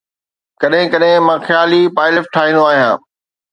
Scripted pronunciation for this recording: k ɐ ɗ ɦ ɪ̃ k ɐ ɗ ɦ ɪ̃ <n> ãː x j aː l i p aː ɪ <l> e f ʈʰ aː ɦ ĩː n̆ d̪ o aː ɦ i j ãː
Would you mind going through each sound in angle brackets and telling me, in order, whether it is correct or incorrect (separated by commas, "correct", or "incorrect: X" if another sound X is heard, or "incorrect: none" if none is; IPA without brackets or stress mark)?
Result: incorrect: m, correct